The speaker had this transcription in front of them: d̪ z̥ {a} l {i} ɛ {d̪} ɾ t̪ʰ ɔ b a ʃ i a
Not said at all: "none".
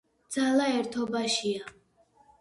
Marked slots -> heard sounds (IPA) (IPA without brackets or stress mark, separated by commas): a, a, none